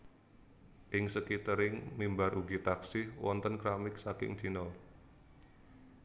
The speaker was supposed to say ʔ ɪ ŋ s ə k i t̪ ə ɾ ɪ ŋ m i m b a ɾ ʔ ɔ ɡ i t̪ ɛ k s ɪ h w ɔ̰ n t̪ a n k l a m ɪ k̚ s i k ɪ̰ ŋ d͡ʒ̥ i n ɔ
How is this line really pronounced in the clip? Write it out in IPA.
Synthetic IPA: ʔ ɪ ŋ s ə k i t̪ ə ɾ ɪ ŋ m i m b a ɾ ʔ u ɡ i t̪ a k s ɪ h w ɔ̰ n t̪ ə n k ɾ a m ɪ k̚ s a k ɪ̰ ŋ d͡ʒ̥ i n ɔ